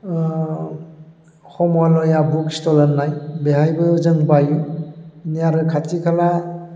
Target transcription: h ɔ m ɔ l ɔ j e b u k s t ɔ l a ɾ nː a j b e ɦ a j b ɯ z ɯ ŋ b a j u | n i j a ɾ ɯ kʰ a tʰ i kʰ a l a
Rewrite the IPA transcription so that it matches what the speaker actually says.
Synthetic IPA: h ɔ m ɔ l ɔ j a b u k s t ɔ l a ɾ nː a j b e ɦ a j b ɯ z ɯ ŋ b a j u | n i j a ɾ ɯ kʰ a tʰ i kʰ a l a